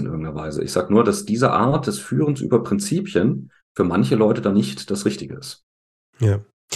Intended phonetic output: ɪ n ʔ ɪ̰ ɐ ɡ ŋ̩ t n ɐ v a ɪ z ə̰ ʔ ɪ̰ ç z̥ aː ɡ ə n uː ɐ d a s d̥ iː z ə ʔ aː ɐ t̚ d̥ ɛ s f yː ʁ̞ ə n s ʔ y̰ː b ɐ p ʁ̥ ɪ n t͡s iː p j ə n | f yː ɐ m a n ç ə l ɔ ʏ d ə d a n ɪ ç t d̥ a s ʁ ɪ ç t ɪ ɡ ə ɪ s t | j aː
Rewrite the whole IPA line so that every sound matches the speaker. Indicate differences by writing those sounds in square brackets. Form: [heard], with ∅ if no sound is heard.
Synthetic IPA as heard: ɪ n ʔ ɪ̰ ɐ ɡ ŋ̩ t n ɐ v a ɪ z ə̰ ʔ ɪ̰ ç z̥ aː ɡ ə n uː ɐ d a s d̥ iː z ə ʔ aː ɐ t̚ d̥ ɛ s f yː ʁ̞ ə n s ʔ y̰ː b ɐ p ʁ̥ ɪ n t͡s iː p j ə n | f yː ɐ m a n ç ə l ɔ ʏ [t] ə d a n ɪ ç t d̥ a s ʁ ɪ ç t ɪ ɡ ə ɪ s t | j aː